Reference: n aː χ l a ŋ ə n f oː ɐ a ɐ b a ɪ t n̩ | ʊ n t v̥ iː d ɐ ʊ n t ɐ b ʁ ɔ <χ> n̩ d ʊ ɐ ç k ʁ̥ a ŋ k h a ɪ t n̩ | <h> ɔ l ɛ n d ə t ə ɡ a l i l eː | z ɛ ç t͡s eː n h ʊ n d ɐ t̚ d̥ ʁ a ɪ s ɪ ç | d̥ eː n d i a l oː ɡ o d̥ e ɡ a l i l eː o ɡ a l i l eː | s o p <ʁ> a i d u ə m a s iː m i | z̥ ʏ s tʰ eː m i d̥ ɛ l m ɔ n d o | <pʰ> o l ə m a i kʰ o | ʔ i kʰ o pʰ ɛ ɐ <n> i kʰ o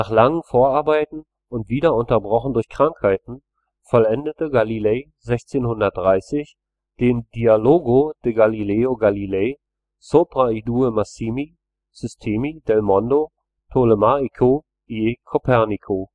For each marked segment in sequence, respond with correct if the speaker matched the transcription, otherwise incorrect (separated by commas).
correct, incorrect, correct, incorrect, correct